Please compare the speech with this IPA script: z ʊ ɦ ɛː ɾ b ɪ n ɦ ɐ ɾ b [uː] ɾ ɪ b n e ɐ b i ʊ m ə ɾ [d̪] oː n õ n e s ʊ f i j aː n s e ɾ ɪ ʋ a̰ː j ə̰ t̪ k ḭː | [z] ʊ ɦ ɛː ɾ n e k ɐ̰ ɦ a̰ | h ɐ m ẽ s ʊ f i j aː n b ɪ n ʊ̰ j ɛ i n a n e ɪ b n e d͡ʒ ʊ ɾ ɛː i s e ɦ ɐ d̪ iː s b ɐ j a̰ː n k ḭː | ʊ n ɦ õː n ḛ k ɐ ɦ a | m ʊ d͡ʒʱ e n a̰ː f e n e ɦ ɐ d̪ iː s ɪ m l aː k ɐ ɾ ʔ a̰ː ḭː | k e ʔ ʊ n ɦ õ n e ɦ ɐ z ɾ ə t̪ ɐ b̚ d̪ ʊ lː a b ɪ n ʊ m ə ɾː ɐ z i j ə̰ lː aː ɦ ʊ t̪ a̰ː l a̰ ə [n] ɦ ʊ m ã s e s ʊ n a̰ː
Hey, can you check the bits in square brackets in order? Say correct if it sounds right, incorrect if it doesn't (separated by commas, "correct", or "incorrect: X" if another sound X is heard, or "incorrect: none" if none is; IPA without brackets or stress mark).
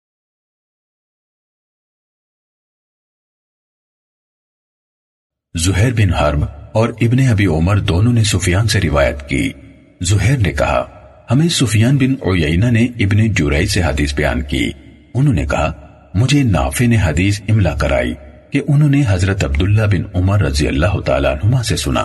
incorrect: ɔː, correct, correct, correct